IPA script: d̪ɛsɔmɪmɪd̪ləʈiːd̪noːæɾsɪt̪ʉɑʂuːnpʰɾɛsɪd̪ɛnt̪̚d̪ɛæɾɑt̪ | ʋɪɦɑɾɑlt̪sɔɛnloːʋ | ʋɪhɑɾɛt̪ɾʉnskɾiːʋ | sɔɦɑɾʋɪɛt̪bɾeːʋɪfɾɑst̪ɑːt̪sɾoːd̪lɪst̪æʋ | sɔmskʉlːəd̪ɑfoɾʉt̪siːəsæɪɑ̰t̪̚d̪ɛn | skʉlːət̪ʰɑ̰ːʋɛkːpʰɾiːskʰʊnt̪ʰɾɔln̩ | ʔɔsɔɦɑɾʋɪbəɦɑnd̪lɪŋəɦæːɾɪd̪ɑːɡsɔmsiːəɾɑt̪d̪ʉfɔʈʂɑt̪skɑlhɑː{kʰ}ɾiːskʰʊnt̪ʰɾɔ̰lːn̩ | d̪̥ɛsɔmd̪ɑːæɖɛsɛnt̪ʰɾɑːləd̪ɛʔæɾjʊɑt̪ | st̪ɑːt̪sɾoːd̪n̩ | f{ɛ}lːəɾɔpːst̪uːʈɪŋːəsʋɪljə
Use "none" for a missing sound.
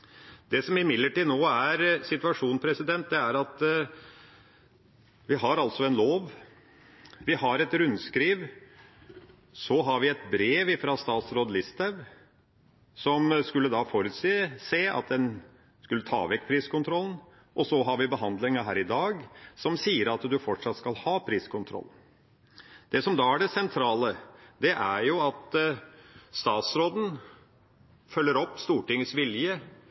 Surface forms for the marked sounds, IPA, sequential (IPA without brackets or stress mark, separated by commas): pʰ, œ